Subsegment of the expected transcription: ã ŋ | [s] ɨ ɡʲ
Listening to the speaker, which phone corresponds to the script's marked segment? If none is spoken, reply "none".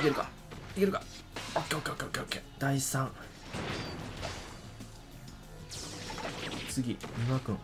t͡s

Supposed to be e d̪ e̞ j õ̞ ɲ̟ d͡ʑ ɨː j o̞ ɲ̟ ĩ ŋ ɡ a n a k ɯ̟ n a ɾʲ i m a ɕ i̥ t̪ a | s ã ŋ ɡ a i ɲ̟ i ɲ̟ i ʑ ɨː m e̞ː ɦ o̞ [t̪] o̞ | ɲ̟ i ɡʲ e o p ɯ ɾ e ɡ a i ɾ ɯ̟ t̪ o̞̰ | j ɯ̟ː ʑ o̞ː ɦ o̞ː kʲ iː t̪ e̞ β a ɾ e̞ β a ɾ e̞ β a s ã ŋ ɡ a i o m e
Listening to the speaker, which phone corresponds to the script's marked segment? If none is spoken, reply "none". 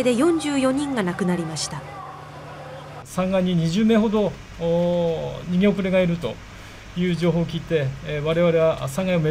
d̪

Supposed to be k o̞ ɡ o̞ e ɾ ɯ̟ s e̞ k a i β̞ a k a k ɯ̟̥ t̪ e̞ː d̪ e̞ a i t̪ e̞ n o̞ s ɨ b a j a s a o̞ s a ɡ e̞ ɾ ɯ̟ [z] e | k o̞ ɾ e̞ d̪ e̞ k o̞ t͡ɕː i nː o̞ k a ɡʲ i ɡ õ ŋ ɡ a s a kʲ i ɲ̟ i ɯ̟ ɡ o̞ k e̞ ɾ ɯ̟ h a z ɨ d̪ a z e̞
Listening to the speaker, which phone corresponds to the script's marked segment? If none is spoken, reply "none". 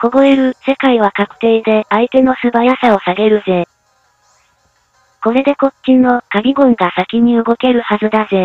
z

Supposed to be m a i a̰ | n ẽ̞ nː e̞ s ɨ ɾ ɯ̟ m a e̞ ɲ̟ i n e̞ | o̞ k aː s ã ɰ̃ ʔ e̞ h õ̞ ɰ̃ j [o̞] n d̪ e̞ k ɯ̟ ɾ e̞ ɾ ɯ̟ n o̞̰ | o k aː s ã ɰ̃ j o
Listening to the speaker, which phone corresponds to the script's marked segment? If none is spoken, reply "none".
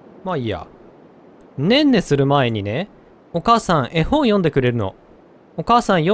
õ̞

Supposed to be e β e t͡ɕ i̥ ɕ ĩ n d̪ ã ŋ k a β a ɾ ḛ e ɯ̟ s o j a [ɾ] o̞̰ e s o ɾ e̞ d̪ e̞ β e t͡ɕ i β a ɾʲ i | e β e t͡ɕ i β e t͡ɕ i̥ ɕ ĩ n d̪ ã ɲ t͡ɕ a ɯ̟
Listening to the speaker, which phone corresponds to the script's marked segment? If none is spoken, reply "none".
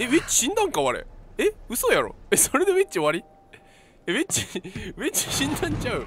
ɾ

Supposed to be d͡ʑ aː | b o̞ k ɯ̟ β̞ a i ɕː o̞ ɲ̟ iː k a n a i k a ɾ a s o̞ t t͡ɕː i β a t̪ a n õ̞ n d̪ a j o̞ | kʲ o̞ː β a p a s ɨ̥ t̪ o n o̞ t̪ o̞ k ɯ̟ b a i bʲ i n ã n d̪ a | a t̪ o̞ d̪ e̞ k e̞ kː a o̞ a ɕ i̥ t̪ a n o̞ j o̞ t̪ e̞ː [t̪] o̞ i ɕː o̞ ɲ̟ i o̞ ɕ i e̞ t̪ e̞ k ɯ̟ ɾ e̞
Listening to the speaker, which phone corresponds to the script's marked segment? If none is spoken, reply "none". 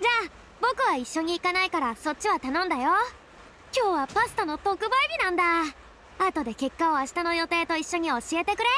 t̪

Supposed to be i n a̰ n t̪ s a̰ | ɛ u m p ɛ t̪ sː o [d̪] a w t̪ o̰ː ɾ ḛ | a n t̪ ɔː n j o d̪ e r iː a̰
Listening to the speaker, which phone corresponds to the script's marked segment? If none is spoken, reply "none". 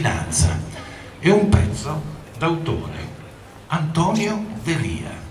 d̪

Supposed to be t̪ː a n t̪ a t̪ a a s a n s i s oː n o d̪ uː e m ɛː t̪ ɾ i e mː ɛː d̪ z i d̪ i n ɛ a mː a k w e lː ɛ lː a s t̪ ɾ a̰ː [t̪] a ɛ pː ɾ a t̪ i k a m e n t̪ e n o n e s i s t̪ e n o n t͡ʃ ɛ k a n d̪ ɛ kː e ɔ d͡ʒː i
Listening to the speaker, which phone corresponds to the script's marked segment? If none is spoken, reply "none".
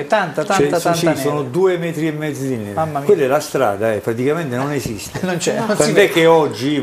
d̪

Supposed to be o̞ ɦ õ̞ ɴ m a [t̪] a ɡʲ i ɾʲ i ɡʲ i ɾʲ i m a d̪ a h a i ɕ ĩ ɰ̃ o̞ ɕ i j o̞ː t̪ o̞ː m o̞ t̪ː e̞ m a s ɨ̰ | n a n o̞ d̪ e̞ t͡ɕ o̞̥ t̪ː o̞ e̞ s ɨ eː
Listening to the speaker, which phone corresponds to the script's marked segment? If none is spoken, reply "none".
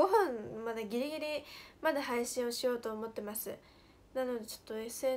d̪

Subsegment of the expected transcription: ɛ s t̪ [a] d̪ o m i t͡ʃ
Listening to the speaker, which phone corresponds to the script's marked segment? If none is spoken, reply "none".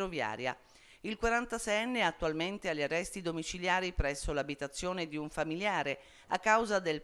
i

